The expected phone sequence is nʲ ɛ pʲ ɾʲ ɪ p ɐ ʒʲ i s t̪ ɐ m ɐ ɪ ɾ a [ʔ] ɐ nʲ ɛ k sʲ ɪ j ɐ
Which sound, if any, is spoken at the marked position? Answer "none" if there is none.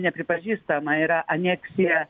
ʔ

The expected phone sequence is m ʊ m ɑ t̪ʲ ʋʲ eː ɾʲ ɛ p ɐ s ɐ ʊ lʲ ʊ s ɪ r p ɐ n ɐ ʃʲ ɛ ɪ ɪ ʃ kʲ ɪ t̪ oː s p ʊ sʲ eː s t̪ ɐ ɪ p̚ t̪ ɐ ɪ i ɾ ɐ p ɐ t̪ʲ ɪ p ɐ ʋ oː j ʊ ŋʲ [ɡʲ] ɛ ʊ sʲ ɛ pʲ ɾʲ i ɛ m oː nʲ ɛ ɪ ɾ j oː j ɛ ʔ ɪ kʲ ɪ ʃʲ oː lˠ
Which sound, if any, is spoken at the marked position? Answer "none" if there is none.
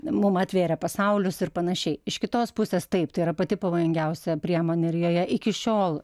ɡʲ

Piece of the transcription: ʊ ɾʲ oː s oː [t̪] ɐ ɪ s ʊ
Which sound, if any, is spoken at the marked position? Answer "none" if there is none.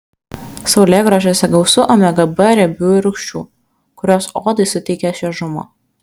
d̪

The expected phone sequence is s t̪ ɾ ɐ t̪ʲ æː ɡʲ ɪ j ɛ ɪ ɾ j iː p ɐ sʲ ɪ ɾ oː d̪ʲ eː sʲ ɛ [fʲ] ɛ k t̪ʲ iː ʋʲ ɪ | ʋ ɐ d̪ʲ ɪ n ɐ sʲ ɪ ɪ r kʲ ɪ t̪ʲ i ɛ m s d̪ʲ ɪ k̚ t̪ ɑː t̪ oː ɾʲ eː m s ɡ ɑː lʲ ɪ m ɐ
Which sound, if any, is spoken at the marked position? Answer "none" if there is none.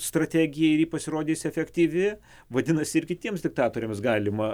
fʲ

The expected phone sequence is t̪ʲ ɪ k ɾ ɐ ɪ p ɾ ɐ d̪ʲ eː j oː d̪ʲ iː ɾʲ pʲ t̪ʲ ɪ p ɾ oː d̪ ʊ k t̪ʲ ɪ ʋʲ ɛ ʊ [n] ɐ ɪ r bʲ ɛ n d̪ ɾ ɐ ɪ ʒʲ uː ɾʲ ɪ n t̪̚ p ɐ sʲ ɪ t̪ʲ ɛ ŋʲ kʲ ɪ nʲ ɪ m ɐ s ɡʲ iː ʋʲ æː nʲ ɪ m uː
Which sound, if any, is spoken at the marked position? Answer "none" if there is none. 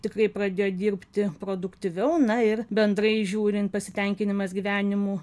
n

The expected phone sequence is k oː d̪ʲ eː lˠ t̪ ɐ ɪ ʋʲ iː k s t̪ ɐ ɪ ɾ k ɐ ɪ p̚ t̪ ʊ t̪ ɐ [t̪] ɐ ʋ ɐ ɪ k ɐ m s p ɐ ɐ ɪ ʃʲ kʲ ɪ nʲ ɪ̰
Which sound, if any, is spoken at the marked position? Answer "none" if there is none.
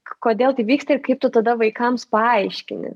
d̪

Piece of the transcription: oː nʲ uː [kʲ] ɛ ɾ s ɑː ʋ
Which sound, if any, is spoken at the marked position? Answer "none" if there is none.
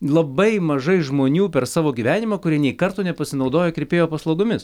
pʲ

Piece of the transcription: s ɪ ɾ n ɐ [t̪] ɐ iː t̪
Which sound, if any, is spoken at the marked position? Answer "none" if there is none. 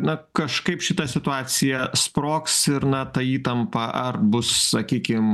t̪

